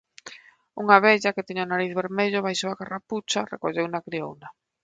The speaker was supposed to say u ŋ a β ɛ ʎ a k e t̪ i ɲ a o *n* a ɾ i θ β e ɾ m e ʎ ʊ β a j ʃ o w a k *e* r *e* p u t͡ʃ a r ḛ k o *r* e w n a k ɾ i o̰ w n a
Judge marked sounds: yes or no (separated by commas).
yes, no, no, no